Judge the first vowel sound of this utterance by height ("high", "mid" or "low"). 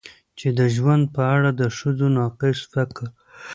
mid